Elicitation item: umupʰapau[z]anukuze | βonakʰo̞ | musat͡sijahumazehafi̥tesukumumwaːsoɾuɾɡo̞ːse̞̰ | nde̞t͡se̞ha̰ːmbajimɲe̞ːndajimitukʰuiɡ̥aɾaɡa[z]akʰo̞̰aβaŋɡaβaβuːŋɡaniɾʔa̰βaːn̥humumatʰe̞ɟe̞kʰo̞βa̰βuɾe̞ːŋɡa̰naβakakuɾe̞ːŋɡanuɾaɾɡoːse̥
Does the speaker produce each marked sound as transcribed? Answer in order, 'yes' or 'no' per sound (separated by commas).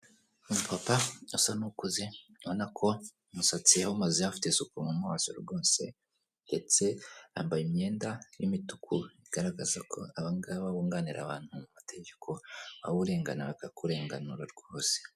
no, yes